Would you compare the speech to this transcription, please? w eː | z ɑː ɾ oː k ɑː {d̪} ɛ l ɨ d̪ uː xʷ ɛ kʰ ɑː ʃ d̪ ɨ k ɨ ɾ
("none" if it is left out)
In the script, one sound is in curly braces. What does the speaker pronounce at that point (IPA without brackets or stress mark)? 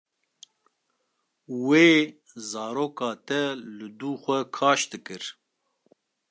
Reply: t̪